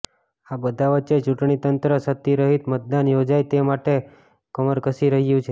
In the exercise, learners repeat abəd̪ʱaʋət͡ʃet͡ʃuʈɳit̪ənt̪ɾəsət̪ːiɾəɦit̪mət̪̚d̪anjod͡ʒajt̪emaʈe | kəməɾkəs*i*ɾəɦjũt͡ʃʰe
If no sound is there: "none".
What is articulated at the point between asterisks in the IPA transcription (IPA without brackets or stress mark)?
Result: i